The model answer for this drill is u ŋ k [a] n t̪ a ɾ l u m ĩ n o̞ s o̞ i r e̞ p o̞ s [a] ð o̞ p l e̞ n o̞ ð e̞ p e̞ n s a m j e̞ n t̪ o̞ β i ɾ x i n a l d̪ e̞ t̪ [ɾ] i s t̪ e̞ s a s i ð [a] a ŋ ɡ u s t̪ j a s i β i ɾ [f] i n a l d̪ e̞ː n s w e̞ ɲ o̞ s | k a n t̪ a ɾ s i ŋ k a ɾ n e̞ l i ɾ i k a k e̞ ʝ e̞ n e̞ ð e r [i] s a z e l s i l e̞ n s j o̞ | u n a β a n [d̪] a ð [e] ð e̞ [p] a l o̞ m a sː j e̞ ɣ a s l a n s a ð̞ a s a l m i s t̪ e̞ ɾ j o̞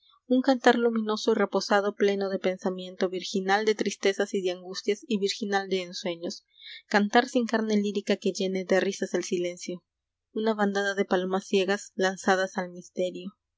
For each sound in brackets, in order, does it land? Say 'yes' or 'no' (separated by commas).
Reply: yes, yes, yes, no, no, yes, yes, no, yes